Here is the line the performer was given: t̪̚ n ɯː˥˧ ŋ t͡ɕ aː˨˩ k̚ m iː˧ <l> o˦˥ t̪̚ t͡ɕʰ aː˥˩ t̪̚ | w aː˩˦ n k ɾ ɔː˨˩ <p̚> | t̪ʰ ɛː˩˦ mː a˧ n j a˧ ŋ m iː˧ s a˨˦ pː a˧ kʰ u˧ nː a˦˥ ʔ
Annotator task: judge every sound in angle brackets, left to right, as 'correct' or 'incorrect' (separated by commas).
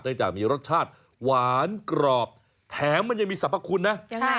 incorrect, correct